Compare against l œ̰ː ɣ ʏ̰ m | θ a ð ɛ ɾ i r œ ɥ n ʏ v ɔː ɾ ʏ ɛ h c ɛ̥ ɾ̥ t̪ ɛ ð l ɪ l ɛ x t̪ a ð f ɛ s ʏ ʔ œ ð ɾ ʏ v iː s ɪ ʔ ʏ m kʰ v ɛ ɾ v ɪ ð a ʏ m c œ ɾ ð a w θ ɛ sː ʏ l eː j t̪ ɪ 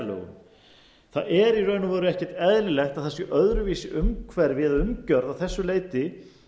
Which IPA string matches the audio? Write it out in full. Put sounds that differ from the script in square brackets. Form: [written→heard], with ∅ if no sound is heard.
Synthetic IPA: l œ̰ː ɣ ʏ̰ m | θ a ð ɛ ɾ i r œ ɥ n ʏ v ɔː ɾ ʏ ɛ h c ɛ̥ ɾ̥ t̪ ɛ ð l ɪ l ɛ x t̪ a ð [f→θ] ɛ s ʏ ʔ œ ð ɾ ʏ v iː s ɪ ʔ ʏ m kʰ v ɛ ɾ v ɪ ð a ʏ m c œ ɾ ð a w θ ɛ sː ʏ l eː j t̪ ɪ

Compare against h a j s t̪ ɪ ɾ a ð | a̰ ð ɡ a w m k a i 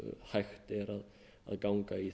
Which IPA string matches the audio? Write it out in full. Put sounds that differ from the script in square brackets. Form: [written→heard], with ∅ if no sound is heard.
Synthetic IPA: h a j [s→x] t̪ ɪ ɾ a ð | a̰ ð ɡ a w [m→ŋ] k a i

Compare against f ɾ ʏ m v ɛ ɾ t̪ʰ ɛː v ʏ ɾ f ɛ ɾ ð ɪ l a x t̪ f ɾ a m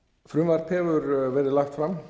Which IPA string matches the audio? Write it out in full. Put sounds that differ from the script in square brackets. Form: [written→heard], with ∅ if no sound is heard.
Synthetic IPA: f ɾ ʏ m v [ɛ→a] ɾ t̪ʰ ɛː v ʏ ɾ [f→v] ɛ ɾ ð ɪ l a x t̪ f ɾ a m

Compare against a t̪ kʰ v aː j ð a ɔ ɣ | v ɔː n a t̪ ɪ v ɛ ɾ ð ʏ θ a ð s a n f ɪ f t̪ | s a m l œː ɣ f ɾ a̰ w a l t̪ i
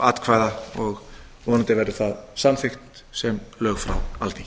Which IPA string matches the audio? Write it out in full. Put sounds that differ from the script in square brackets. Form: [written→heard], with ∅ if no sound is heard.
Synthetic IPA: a t̪ kʰ v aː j ð a ɔ ɣ | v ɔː n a t̪ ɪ v ɛ ɾ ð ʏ θ a ð s a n f ɪ [f→x] t̪ | s [a→ɛ] m l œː ɣ f ɾ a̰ w a l t̪ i

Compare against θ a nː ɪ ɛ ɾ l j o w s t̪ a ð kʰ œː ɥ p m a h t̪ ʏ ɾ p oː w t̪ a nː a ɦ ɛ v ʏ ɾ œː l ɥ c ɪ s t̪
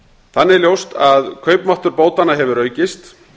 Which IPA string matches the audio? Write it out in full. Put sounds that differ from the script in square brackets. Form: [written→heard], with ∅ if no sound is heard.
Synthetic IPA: θ a nː ɪ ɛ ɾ l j o w s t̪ a ð kʰ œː ɥ p m a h t̪ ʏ ɾ p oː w t̪ a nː a ɦ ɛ v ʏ ɾ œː [l→∅] ɥ c ɪ s t̪

